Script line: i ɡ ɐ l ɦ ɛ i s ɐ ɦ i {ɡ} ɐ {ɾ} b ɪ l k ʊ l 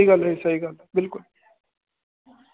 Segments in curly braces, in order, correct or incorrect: correct, incorrect: l

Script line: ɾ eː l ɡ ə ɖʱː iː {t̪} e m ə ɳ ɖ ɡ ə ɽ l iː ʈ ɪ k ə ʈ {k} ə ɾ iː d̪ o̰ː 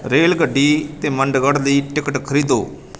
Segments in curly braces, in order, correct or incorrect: correct, incorrect: kʰ

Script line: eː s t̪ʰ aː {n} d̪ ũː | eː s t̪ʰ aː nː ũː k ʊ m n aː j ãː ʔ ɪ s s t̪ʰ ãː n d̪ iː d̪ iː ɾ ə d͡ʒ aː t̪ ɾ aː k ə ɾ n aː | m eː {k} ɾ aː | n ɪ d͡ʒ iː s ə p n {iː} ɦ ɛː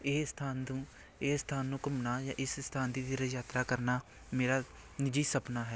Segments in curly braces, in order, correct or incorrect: correct, incorrect: none, incorrect: aː

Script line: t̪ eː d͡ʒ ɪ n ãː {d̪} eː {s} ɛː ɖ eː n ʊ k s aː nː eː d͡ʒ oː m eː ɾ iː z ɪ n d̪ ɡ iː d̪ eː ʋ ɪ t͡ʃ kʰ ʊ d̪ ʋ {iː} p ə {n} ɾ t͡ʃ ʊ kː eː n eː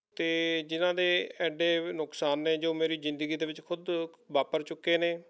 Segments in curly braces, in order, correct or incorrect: correct, incorrect: none, incorrect: aː, incorrect: none

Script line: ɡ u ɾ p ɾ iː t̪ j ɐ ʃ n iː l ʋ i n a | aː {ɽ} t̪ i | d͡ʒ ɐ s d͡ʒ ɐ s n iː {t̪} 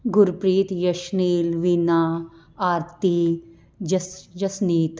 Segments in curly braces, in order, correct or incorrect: incorrect: ɾ, correct

